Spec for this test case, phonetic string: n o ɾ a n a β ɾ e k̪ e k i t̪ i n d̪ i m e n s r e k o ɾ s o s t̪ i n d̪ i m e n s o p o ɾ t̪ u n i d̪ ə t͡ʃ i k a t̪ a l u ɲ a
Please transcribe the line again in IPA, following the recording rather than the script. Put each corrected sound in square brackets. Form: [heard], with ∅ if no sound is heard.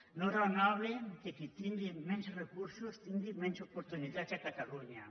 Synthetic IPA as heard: n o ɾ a n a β [l] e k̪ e k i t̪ i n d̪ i m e n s r e k [u] ɾ s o s t̪ i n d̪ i m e n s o p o ɾ t̪ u n i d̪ [a] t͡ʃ [a] k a t̪ a l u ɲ a